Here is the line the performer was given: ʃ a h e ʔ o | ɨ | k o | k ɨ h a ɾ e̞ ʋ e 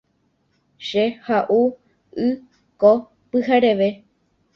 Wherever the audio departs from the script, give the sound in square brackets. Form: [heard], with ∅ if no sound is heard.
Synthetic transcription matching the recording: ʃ [e] h [a] ʔ [u] | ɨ | k o | [p] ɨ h a ɾ e̞ ʋ e